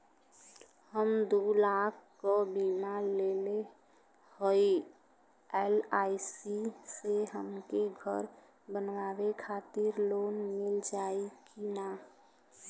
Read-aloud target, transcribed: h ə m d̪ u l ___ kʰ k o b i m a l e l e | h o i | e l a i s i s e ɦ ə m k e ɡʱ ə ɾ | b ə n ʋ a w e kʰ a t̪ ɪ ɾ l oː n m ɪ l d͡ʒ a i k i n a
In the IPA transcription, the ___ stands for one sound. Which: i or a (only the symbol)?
a